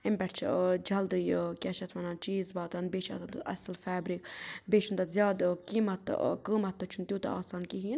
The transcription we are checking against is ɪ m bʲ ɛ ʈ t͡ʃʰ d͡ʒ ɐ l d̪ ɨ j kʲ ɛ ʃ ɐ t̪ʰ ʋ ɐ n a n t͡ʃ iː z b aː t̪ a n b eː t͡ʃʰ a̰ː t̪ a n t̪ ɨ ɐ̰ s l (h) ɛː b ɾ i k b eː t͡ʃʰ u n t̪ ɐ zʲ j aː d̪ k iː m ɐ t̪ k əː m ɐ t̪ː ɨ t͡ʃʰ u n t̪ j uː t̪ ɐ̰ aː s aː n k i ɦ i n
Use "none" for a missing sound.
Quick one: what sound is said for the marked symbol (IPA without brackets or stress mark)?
f